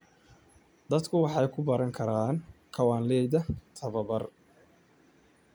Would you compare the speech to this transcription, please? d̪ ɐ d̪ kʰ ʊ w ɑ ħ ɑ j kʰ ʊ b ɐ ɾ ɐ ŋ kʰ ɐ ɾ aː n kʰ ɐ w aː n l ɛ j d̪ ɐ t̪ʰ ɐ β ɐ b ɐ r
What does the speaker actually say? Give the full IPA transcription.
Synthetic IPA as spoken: d̪ ɐ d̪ kʰ ʊ w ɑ ħ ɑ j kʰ ʊ b ɐ ɾ ɐ ŋ kʰ ɐ ɾ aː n kʰ ɐ w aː n l ɛ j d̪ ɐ t̪ʰ ɐ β ɐ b ɐ r